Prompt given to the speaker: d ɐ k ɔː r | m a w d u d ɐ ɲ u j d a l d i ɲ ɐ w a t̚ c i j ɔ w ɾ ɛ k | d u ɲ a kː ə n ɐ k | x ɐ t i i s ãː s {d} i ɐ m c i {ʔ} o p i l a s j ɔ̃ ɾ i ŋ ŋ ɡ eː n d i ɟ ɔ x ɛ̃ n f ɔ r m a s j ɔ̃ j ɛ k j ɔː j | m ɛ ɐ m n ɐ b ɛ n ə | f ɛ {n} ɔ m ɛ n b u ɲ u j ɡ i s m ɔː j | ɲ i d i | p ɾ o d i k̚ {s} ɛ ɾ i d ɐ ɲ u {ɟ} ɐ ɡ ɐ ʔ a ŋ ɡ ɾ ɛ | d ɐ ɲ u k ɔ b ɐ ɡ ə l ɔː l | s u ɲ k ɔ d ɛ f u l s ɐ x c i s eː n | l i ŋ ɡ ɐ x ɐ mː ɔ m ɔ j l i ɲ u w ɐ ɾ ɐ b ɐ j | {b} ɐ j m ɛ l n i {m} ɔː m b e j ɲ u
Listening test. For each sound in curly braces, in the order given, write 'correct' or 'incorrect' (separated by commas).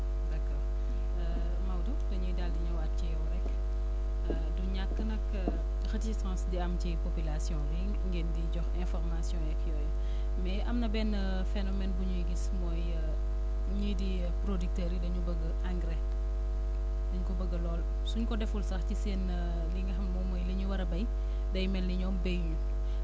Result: correct, incorrect, correct, incorrect, incorrect, incorrect, incorrect